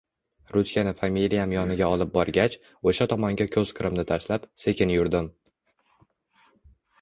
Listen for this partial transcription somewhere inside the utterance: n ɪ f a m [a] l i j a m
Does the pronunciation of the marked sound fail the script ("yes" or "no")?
yes